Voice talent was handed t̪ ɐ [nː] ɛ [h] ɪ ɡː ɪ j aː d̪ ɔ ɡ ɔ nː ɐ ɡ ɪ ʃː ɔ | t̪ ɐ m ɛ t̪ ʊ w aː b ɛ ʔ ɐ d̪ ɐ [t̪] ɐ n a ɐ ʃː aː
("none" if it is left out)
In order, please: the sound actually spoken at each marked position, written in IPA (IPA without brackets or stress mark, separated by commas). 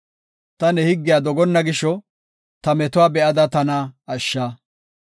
n, h, t̪